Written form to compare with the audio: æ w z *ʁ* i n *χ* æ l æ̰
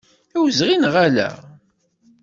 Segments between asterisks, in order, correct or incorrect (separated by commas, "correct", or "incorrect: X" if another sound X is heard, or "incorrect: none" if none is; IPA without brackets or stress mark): correct, incorrect: ʁ